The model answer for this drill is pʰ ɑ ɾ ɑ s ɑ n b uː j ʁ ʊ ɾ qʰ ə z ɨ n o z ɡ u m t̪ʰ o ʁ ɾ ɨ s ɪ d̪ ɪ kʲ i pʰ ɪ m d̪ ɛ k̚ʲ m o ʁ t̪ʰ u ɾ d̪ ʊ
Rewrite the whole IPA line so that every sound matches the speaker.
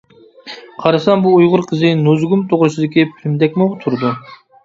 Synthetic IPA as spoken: qʰ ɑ ɾ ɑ s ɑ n b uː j ʁ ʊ ɾ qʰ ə z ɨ n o z ɡ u m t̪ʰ o ʁ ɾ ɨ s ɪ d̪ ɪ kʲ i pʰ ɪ m d̪ ɛ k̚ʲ m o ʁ t̪ʰ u ɾ d̪ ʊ